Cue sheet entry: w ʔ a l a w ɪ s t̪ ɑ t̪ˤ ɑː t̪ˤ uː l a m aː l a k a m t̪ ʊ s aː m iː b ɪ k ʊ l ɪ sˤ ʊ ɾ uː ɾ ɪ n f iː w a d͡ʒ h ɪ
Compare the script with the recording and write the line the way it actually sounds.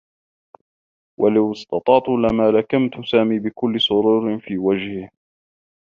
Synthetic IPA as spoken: w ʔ a l a w ɪ s t̪ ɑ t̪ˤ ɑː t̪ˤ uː l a m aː l a k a m t̪ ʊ s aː m iː b ɪ k ʊ lː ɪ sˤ ʊ ɾ uː ɾ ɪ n f iː w a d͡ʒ h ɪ